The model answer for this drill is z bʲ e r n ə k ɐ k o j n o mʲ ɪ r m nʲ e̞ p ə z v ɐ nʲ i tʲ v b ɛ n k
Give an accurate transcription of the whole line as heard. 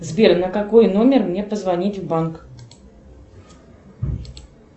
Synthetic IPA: z bʲ e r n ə k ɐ k o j n o mʲ ɪ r m nʲ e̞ p ə z v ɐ nʲ i tʲ v b a n k